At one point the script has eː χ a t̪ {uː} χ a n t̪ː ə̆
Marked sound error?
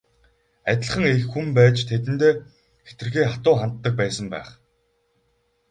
yes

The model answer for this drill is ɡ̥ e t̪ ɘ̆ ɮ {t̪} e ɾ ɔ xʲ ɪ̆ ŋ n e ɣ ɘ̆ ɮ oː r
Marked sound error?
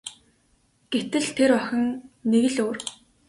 yes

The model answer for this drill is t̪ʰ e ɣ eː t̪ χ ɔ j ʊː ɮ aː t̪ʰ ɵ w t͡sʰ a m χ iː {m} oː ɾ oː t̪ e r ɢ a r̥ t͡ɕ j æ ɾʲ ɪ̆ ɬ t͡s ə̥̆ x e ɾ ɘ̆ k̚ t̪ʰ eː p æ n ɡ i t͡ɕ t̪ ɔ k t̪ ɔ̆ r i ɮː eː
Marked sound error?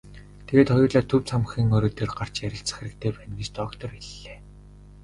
yes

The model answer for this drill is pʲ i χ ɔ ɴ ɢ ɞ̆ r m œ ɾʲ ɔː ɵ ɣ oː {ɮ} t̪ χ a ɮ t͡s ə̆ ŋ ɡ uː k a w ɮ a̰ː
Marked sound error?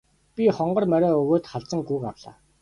yes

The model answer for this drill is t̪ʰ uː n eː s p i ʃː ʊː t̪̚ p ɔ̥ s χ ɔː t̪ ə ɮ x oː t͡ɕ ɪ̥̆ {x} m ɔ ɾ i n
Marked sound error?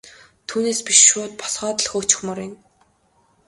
no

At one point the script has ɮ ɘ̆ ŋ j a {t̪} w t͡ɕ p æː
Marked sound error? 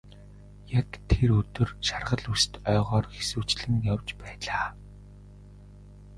yes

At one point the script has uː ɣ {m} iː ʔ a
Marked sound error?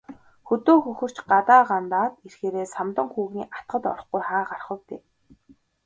yes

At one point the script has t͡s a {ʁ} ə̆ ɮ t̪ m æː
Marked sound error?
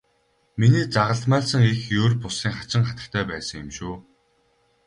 no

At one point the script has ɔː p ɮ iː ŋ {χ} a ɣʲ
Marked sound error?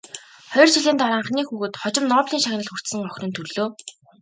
yes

